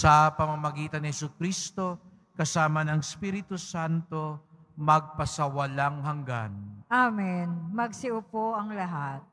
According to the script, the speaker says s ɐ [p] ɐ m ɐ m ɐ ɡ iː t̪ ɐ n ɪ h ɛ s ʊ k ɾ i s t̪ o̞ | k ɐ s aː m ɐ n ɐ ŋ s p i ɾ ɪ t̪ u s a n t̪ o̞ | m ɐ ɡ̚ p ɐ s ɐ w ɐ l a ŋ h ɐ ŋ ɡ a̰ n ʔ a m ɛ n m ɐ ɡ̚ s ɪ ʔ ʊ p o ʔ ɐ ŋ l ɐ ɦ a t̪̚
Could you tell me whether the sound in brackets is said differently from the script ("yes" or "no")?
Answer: no